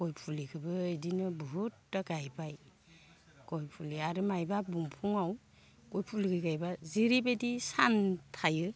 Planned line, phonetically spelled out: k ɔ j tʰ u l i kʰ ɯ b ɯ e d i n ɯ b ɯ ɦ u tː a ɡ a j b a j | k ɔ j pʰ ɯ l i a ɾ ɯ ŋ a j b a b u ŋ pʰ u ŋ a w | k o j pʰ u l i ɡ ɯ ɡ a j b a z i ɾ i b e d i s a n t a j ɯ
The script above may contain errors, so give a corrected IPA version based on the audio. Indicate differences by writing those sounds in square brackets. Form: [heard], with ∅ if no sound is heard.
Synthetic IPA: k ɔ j [pʰ] u l i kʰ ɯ b ɯ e d i n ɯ b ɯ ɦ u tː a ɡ a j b a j | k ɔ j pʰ [u] l i a ɾ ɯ [m] a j b a b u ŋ pʰ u ŋ a w | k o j pʰ u l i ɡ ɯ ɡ a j b a z i ɾ i b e d i s a n [tʰ] a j ɯ